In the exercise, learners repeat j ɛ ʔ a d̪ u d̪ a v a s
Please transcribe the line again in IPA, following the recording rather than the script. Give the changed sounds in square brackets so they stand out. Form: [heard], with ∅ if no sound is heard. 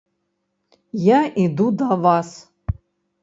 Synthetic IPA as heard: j [a] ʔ [i] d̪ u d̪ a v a s